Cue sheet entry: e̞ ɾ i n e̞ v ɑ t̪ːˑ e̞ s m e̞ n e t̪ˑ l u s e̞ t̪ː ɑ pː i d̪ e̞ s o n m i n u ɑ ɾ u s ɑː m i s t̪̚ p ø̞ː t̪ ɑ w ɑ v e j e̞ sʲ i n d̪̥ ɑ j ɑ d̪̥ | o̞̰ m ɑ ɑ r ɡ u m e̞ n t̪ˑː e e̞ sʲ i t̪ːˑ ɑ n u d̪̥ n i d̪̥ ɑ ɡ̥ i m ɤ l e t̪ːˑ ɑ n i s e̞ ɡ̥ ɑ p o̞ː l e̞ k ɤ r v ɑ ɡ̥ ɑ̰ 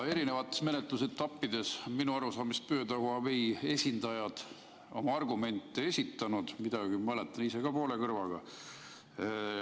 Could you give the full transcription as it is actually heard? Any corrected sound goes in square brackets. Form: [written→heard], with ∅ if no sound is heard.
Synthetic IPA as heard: e̞ ɾ i n e̞ v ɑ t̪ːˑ e̞ s m e̞ n e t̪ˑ l u s e̞ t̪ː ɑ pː i d̪ e̞ s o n m i n u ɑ ɾ u s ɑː m i s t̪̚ p ø̞ː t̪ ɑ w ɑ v e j e̞ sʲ i n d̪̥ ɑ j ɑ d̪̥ | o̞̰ m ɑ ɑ r ɡ u m e̞ n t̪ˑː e e̞ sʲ i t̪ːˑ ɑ n u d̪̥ [n→m] i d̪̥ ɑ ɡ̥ i m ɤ l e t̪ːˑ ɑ n i s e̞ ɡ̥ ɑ p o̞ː l e̞ k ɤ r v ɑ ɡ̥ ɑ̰